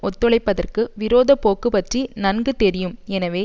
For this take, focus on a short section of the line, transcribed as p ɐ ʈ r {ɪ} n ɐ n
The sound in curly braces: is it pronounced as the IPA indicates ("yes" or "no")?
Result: no